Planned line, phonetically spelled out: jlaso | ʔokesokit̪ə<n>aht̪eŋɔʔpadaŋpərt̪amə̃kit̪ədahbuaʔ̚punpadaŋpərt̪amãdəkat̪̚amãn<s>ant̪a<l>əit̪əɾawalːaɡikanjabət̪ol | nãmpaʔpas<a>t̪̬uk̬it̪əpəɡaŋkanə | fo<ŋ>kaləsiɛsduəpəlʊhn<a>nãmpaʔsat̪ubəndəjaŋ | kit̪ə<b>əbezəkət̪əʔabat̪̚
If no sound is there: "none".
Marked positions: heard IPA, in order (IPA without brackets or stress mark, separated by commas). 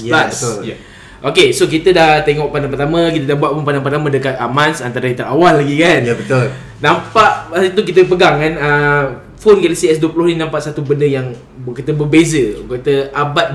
d, s, ɾ, i, n, i, b